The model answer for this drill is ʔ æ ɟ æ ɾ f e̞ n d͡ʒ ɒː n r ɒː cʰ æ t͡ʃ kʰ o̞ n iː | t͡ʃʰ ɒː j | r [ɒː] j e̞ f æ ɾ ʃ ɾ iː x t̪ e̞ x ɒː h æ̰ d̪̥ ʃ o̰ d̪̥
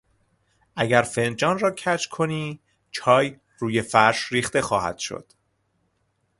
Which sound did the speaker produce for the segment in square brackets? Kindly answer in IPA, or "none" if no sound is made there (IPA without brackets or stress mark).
uː